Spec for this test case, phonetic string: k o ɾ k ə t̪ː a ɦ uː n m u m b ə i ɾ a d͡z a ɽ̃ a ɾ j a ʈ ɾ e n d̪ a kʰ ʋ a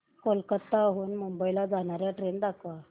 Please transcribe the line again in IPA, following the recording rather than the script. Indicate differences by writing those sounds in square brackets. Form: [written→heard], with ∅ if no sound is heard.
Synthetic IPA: k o [ɾ→l] k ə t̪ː a ɦ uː n m u m b ə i [ɾ→l] a d͡z a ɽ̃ a ɾ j a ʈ ɾ e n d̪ a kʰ ʋ a